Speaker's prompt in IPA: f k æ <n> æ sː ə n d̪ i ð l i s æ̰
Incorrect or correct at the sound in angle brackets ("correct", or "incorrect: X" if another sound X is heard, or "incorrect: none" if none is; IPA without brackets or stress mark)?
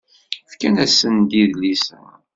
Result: correct